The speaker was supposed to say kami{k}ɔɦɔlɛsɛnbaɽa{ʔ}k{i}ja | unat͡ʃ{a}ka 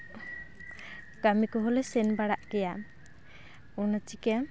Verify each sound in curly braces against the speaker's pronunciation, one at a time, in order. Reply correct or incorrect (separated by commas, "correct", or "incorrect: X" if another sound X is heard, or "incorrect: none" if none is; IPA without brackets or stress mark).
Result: correct, correct, incorrect: ɛ, incorrect: i